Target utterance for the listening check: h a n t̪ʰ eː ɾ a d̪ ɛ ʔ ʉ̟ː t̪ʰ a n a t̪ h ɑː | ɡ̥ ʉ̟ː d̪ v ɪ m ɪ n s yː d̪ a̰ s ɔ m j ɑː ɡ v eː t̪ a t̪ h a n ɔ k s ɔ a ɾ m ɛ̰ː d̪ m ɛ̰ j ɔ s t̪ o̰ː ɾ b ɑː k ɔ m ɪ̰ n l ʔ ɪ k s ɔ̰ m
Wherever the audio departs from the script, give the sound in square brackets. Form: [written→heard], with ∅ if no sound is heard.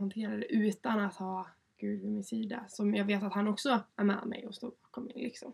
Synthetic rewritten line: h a n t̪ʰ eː ɾ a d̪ ɛ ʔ ʉ̟ː [t̪ʰ→t̪] a n a t̪ h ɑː | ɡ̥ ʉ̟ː d̪ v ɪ m ɪ n s [yː→iː] d̪ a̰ s ɔ m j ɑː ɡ v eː t̪ a t̪ h a n ɔ k s ɔ [a→æ] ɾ m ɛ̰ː d̪ m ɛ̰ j ɔ s t̪ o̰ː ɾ b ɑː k ɔ m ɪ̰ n l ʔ ɪ k s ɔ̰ m